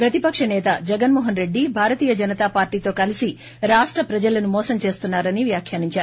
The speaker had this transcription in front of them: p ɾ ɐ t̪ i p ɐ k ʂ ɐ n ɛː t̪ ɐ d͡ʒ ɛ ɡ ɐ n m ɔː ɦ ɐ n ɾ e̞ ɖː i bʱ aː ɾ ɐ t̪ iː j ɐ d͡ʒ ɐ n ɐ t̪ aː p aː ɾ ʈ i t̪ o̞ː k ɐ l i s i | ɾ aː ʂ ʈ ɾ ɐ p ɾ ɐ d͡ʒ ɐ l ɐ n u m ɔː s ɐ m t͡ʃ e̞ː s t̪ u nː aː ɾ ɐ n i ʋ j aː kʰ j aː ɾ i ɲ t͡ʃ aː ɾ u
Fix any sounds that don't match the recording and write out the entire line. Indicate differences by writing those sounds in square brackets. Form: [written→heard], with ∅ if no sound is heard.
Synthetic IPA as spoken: p ɾ ɐ t̪ i p ɐ k ʂ ɐ n ɛː t̪ ɐ d͡ʒ ɛ ɡ ɐ n m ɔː ɦ ɐ n ɾ e̞ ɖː i bʱ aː ɾ ɐ t̪ iː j ɐ d͡ʒ ɐ n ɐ t̪ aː p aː ɾ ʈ [i→iː] t̪ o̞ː k ɐ l i s i | ɾ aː ʂ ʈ ɾ ɐ p ɾ ɐ d͡ʒ ɐ l ɐ n u m ɔː s ɐ m t͡ʃ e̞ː s t̪ u nː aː ɾ ɐ n i ʋ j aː kʰ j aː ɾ i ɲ t͡ʃ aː ɾ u

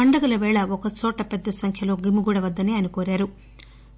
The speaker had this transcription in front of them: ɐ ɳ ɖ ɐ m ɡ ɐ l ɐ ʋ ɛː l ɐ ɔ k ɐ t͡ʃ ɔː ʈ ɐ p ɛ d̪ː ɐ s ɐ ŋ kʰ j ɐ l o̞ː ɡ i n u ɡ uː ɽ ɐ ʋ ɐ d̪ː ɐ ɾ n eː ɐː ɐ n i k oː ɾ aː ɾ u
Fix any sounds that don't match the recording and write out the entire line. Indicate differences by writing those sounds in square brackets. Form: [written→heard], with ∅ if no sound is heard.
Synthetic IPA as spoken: ɐ ɳ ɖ ɐ [m→∅] ɡ ɐ l ɐ ʋ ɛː [l→ɭ] ɐ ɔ k ɐ t͡ʃ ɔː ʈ ɐ p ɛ d̪ː ɐ s ɐ ŋ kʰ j ɐ l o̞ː ɡ i [n→m] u ɡ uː ɽ ɐ ʋ ɐ d̪ː ɐ [ɾ→∅] n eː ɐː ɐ n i k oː ɾ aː ɾ u

